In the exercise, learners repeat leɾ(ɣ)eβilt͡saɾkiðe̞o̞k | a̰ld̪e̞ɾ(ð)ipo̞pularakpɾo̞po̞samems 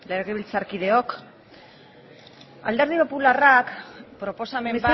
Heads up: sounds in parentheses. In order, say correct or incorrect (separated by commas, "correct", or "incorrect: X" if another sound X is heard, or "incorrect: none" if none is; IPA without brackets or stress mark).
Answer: correct, correct